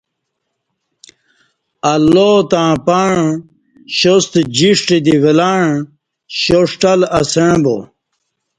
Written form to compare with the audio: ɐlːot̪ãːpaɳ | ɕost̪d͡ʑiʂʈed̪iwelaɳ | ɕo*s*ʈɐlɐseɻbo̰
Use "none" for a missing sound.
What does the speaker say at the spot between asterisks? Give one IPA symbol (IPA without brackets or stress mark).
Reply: ʂ